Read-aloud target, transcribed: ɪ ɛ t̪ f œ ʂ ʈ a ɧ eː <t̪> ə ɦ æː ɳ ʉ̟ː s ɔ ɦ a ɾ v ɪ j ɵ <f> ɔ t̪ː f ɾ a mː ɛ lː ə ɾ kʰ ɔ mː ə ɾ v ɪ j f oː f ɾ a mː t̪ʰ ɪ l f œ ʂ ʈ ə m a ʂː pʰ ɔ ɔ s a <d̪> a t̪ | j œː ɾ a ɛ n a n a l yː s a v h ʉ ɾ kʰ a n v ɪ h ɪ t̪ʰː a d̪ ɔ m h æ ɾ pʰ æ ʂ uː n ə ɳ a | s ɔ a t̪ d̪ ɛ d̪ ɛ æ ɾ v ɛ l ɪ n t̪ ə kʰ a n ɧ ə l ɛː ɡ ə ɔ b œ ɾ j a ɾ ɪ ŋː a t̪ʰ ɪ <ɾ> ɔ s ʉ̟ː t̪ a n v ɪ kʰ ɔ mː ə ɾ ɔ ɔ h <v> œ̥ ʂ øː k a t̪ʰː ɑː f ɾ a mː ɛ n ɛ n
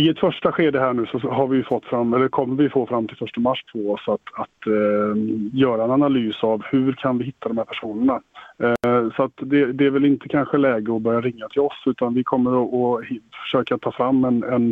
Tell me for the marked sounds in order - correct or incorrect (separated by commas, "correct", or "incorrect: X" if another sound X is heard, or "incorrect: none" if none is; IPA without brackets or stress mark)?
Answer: incorrect: d̪, correct, incorrect: t̪, incorrect: l, incorrect: f